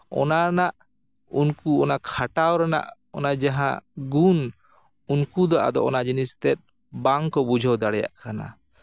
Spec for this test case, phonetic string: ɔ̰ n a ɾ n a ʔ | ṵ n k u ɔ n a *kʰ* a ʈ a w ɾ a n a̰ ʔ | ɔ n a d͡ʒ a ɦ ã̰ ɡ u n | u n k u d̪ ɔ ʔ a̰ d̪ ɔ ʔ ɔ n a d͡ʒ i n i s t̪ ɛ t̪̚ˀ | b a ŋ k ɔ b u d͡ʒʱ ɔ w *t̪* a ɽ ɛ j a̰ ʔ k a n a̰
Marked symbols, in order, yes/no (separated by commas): yes, no